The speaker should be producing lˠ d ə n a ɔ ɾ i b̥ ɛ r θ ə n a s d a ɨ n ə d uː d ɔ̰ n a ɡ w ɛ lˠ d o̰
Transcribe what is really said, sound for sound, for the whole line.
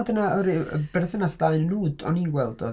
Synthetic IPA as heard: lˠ d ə n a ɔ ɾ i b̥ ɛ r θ ə n a s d a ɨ n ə n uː d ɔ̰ n i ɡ w ɛ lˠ d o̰